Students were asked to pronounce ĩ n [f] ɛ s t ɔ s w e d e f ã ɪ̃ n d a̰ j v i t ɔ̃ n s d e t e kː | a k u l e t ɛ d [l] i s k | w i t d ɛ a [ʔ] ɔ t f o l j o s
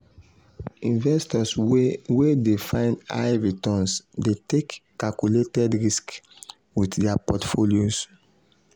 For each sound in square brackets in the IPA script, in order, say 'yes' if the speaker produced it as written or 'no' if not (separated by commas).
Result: no, no, no